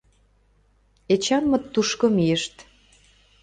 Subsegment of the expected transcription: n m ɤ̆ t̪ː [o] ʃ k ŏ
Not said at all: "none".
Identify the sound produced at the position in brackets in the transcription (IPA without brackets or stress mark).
u